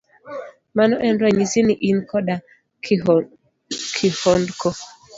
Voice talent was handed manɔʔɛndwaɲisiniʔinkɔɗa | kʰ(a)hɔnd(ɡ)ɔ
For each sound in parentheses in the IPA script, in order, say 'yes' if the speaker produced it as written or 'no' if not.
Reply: no, no

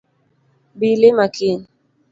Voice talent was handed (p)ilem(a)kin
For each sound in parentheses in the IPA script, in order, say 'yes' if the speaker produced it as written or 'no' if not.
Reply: no, yes

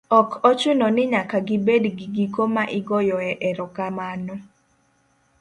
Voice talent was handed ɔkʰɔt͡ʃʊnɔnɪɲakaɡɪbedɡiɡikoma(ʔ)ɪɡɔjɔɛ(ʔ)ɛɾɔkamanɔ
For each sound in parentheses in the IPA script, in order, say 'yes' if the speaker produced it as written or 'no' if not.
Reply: yes, yes

